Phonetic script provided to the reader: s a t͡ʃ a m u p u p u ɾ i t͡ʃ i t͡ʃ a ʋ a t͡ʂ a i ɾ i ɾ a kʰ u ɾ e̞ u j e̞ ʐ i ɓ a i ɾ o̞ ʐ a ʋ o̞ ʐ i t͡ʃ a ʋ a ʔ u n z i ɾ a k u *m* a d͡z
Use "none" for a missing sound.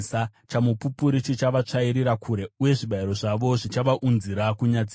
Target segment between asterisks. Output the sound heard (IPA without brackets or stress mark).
ɲ